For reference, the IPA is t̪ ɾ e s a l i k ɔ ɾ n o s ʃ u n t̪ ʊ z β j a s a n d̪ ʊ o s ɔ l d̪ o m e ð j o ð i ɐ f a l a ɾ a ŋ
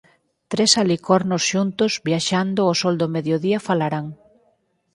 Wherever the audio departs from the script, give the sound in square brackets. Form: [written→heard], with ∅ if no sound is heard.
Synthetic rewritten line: t̪ ɾ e s a l i k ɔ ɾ n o s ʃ u n t̪ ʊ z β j a [s→ʃ] a n d̪ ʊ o s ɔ l d̪ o m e ð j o ð i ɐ f a l a ɾ a ŋ